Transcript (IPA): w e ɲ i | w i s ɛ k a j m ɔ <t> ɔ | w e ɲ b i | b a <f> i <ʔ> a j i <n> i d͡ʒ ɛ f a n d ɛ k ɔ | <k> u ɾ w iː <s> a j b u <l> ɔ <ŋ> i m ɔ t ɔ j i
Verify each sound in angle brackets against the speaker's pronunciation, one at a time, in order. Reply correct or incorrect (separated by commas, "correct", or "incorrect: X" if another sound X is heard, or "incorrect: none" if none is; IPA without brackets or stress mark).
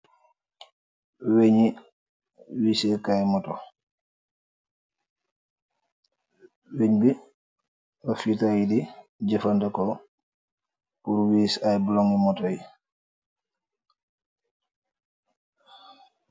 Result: correct, correct, incorrect: t, incorrect: d, incorrect: p, correct, correct, correct